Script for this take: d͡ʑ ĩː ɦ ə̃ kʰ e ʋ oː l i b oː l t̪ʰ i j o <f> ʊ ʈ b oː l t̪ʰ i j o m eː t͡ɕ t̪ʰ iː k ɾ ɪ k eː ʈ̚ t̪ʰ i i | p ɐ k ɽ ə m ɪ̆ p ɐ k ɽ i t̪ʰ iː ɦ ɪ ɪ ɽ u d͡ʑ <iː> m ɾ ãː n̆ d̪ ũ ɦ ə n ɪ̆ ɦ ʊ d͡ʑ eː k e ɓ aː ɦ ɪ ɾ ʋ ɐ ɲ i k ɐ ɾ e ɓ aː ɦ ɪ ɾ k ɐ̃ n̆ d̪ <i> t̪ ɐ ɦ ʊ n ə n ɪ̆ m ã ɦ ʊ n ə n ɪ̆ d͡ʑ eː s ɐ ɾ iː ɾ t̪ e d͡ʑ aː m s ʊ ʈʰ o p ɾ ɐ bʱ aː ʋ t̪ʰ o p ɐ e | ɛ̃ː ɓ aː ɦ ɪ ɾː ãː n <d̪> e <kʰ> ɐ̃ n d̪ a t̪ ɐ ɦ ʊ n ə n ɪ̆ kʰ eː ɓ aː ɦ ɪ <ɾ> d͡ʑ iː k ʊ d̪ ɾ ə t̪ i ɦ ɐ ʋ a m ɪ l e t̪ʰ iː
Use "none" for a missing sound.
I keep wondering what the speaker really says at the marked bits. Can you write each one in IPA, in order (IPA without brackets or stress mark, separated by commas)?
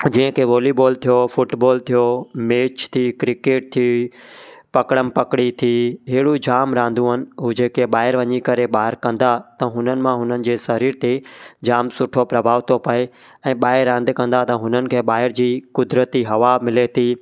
f, aː, a, d̪, k, ɾ